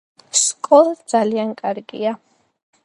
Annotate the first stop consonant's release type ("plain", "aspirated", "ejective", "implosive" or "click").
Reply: ejective